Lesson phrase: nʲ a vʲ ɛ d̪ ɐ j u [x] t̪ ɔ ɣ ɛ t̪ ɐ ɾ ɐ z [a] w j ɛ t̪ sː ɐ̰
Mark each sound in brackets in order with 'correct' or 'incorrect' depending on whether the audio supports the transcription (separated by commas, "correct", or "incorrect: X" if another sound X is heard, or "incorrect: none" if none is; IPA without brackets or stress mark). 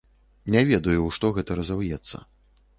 incorrect: ʂ, correct